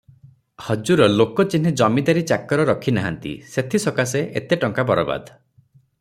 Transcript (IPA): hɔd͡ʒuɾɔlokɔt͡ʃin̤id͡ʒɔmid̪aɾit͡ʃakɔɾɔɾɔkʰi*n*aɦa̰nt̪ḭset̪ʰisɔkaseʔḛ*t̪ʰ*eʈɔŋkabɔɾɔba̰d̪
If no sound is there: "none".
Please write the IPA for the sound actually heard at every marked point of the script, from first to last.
n, t̪

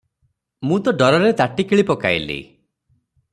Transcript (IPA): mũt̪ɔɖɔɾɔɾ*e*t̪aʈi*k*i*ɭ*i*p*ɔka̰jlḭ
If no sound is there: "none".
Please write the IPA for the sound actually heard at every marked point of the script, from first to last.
e, k, ɭ, p

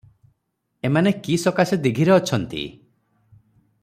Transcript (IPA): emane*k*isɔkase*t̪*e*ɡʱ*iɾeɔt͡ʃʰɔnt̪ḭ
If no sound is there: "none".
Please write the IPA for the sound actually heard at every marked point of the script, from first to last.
k, d̪, ɡʱ

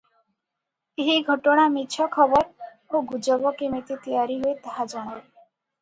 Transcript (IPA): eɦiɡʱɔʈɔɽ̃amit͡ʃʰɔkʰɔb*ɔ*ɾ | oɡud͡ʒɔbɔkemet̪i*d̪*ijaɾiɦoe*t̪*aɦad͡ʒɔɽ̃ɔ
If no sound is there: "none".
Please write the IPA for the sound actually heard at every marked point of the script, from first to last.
ɔ, t̪, t̪

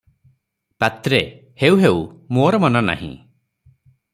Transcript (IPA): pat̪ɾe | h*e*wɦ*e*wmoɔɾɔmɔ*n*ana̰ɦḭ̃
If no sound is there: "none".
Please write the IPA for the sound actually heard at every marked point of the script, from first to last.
e, e, n

